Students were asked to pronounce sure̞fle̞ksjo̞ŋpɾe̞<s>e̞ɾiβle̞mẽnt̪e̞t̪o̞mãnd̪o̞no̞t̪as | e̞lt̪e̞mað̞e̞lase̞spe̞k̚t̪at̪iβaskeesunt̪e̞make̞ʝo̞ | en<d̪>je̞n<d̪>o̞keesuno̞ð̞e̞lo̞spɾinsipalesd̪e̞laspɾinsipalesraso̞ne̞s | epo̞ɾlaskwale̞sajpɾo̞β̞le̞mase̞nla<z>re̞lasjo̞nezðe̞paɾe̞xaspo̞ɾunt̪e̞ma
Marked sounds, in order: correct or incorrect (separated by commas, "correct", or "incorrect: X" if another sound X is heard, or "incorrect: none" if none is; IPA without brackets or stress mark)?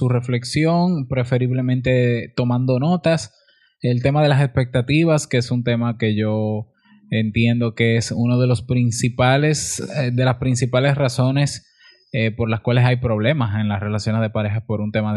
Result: incorrect: f, incorrect: t̪, correct, incorrect: s